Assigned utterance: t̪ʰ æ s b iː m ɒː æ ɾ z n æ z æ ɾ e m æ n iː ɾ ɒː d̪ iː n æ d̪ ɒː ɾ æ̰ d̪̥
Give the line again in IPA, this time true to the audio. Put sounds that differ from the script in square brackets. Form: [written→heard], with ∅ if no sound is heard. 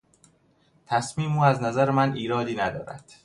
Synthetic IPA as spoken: t̪ʰ æ s [b→m] iː m [ɒː→uː] æ [ɾ→∅] z n æ z æ ɾ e m æ n iː ɾ ɒː d̪ iː n æ d̪ ɒː ɾ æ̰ d̪̥